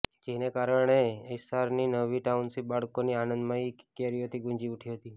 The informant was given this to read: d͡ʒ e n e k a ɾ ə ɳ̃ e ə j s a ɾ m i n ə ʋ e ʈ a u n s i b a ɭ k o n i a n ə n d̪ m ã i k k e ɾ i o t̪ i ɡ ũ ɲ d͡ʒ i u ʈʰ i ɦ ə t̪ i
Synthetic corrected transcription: d͡ʒ e n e k a ɾ ə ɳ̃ e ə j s a ɾ n i n ə ʋ i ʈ a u n s i b a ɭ k o n i a n ə n d̪ m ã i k k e ɾ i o t̪ i ɡ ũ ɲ d͡ʒ i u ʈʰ i ɦ ə t̪ i